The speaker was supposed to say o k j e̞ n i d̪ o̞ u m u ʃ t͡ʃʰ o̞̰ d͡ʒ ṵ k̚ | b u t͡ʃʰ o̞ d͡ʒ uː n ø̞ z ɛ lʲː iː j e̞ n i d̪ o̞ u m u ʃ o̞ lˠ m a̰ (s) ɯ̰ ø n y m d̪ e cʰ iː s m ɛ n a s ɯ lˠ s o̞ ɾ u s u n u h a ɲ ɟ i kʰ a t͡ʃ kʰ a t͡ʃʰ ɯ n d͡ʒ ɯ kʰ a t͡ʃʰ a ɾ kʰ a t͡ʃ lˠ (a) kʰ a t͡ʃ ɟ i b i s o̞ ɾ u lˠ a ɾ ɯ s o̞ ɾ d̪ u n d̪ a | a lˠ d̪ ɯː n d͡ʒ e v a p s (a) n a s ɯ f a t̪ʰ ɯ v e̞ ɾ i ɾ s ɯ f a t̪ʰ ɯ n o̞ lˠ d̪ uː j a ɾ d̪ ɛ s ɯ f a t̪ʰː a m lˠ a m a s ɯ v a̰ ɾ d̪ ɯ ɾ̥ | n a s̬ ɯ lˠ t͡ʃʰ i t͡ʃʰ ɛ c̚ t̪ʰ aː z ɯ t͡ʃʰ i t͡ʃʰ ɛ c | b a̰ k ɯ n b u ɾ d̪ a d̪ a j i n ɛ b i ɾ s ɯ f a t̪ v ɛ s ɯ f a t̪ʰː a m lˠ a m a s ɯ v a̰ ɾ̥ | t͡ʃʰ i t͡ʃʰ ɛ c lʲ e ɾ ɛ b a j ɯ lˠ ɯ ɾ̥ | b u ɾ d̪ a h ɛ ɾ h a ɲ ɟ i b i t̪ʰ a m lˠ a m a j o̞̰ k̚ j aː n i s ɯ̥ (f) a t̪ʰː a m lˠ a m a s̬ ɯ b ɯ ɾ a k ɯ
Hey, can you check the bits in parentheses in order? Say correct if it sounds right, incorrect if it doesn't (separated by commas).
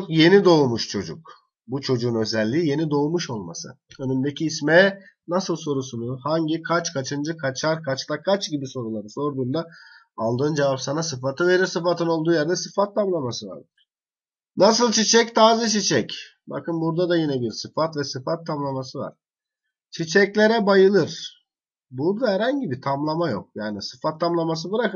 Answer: correct, correct, correct, correct